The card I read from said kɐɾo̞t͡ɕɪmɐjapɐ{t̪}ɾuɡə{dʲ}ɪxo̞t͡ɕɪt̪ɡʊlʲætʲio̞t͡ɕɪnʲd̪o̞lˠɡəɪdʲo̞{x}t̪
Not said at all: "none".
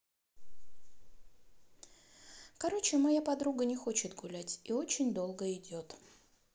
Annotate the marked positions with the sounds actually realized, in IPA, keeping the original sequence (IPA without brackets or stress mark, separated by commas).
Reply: d̪, nʲ, none